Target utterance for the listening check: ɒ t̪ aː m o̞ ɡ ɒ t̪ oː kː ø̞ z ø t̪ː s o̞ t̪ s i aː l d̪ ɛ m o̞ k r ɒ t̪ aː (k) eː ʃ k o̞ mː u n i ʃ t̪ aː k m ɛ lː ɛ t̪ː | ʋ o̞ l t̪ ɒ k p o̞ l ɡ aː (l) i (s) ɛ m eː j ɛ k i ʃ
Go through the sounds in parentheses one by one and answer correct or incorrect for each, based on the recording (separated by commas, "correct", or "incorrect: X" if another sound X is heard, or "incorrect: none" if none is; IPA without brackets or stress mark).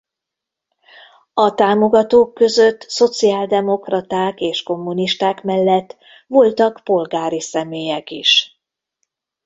correct, incorrect: ɾ, correct